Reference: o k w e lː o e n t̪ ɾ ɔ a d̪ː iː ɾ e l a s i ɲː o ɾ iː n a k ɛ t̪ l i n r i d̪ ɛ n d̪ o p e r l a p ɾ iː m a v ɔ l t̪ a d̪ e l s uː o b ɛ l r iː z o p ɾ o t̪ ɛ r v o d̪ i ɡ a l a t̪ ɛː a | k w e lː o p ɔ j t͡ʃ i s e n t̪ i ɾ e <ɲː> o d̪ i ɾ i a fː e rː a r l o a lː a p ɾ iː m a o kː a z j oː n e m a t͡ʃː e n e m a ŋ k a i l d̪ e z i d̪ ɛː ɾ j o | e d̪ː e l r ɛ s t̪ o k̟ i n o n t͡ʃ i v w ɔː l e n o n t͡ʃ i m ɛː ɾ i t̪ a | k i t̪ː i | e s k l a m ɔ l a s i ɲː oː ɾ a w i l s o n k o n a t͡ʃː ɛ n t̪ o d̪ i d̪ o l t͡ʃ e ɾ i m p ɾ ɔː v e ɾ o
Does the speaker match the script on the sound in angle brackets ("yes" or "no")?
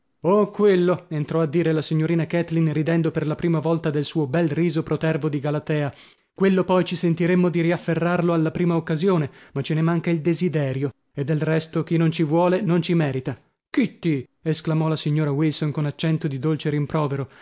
no